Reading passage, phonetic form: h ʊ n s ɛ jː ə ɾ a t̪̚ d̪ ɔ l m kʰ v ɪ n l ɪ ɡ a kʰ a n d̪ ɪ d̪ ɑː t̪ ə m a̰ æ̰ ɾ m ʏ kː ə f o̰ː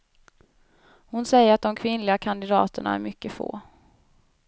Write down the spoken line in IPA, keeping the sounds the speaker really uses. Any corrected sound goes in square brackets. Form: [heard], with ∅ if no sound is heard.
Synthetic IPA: h ʊ n s ɛ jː ə ɾ a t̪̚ d̪ ɔ [∅] m kʰ v ɪ n l ɪ ɡ a kʰ a n d̪ ɪ d̪ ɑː t̪ ə [ɳ] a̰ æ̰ ɾ m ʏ kː ə f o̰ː